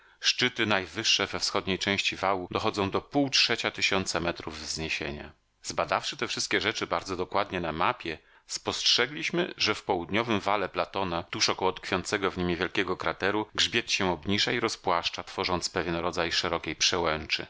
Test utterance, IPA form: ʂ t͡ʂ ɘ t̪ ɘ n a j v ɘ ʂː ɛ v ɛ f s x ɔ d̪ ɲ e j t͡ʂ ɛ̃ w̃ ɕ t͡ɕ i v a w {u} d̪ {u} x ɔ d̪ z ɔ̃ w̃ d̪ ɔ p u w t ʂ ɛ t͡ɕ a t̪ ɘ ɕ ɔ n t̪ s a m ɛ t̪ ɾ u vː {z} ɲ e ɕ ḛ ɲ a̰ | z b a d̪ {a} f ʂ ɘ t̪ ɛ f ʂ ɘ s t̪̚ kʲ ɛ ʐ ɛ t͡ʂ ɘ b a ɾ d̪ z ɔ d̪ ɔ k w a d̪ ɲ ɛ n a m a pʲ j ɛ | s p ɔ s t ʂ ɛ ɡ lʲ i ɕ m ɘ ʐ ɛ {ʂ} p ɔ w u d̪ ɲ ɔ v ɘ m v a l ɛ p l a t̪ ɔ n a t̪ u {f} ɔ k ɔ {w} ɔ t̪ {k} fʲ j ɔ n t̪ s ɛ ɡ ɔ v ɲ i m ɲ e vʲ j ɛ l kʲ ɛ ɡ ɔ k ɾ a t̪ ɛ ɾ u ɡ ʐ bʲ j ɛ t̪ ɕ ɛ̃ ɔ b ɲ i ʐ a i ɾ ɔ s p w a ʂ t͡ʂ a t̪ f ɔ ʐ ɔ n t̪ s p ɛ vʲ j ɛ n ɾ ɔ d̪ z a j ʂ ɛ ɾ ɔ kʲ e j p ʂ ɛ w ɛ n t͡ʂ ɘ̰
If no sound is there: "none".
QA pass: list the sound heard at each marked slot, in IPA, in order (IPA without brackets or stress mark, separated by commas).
u, ɔ, z, a, f, ʂ, w, k